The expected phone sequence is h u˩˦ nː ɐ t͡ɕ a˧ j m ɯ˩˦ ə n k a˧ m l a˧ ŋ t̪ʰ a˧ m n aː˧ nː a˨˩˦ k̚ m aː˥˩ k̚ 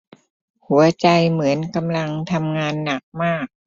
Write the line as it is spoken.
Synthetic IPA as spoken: h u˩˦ ɐ t͡ɕ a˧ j m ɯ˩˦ ə n k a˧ m l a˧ ŋ t̪ʰ a˧ m ŋ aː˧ nː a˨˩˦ k̚ m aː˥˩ k̚